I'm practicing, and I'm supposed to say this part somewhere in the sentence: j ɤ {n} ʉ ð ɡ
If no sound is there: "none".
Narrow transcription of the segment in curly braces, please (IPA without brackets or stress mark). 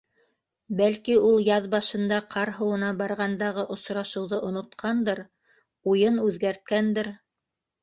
n